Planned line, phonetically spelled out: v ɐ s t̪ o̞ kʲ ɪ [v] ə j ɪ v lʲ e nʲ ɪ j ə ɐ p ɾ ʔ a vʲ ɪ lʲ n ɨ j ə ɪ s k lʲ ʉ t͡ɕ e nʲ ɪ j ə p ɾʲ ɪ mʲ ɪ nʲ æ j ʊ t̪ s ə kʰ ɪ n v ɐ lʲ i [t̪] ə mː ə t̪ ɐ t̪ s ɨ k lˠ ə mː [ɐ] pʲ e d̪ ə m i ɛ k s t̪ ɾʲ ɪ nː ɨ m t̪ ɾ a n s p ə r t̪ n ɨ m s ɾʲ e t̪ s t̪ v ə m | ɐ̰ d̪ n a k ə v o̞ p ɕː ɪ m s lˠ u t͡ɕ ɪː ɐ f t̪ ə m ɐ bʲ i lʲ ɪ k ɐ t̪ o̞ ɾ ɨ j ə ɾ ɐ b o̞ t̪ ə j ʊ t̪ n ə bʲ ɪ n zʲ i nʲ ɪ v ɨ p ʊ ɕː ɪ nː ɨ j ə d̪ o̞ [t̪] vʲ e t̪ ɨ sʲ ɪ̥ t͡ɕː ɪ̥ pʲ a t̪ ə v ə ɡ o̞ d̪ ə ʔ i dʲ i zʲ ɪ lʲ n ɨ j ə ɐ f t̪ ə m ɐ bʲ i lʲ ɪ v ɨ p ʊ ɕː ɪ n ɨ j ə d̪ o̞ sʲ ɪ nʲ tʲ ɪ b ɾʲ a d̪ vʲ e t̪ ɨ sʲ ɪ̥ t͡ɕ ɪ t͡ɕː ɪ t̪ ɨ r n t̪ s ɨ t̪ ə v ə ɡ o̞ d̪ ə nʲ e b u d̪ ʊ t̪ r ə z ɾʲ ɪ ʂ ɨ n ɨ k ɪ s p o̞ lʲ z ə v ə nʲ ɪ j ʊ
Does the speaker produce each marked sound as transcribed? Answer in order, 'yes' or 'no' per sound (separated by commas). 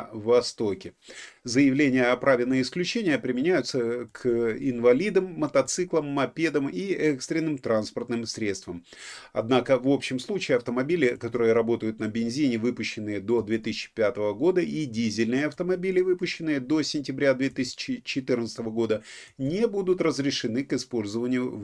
no, no, yes, no